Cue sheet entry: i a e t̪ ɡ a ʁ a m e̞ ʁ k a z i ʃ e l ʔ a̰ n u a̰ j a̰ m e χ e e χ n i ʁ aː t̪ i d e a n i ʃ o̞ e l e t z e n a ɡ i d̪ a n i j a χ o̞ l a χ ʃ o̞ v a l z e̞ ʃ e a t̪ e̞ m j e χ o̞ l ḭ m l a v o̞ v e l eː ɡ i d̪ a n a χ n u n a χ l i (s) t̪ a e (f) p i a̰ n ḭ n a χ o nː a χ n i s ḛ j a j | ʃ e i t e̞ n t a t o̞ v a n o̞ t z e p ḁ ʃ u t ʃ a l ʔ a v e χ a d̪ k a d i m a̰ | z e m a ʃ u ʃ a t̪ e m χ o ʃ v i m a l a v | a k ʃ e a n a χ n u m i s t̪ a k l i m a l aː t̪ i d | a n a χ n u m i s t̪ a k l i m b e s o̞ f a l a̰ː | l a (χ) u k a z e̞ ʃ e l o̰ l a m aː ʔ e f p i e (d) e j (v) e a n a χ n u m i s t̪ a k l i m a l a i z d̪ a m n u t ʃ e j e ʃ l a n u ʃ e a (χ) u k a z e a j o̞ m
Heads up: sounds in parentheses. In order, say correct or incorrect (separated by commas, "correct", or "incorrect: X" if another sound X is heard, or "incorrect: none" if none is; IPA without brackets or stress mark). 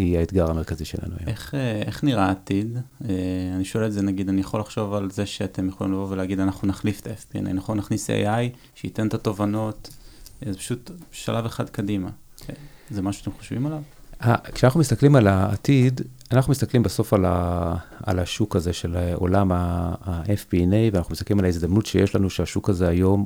incorrect: f, correct, incorrect: ʃ, incorrect: n, correct, incorrect: ʃ